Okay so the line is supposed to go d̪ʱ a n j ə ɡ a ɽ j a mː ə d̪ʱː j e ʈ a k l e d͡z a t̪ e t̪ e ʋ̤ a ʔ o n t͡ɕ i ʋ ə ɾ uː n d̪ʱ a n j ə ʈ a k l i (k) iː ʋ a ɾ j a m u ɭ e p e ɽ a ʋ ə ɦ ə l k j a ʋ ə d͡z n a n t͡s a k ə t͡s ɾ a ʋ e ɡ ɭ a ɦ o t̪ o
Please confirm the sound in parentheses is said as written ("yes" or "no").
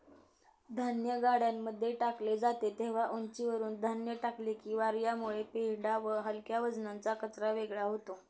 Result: yes